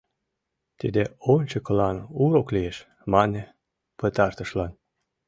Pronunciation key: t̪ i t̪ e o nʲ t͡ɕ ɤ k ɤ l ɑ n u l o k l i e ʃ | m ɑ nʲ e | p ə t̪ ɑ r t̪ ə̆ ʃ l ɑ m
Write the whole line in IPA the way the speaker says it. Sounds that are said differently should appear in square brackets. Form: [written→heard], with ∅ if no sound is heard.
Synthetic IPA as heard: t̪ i [t̪→d̪] e o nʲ t͡ɕ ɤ k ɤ l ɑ n u [l→ɾ] o k l i e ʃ | m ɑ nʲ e | p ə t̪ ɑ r t̪ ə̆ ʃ l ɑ [m→n]